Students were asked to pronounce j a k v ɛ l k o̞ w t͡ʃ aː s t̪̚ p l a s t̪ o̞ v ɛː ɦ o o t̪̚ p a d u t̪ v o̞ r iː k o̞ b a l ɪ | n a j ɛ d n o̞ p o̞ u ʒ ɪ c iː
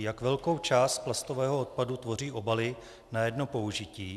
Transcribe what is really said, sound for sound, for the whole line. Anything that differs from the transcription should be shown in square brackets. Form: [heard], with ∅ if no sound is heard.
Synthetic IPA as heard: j a k v ɛ l k o̞ w t͡ʃ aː s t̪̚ p l a s t̪ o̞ v ɛː ɦ o o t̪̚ p a d u t̪ v o̞ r iː [ʔ] o̞ b a l ɪ | n a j ɛ d n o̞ p o̞ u ʒ ɪ c iː